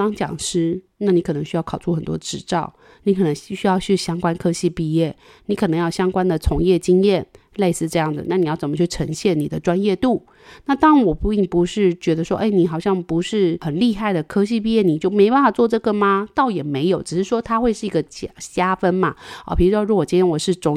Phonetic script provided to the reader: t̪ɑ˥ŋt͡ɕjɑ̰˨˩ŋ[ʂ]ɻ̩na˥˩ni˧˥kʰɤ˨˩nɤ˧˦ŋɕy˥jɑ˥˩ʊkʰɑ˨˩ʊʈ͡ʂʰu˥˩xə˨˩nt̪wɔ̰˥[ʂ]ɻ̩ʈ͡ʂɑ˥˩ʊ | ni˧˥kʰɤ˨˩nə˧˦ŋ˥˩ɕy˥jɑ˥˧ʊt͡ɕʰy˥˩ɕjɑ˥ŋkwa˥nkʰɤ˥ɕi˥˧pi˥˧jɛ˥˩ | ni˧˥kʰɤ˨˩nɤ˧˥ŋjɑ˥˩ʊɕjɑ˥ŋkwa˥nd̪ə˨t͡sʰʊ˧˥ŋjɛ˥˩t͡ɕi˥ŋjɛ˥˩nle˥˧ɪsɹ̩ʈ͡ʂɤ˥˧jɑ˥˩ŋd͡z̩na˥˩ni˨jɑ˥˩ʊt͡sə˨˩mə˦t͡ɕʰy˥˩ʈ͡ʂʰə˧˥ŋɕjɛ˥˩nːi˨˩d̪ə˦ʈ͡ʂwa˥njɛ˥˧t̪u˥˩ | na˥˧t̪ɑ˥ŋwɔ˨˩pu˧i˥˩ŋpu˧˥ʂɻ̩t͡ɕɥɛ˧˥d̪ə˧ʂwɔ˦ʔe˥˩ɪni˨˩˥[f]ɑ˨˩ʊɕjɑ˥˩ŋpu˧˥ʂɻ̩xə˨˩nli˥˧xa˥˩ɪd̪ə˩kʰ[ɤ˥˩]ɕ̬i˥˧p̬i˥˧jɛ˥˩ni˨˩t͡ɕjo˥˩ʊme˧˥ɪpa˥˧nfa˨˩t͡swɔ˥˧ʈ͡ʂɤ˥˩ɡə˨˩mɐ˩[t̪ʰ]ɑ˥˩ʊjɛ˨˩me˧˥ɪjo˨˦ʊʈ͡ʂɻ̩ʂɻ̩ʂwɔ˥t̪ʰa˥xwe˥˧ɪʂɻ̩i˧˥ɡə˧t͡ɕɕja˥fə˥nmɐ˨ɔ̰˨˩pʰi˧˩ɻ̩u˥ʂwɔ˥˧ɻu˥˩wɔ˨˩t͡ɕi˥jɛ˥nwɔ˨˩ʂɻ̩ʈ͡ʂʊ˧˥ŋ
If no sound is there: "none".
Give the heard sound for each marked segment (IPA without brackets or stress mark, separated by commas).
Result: ʂ, ʈ͡ʂ, x, ɤ˥, t̪